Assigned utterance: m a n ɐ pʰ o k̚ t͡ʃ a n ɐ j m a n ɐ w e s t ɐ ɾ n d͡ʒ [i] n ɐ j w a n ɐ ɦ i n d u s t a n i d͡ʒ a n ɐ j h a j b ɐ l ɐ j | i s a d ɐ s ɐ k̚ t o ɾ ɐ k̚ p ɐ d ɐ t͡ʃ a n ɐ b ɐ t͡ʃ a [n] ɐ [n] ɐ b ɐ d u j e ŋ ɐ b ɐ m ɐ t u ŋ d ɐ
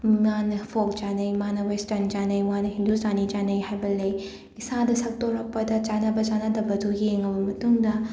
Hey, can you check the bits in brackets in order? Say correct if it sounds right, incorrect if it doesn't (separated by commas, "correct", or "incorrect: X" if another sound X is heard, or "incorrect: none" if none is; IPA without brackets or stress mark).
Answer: incorrect: a, correct, incorrect: d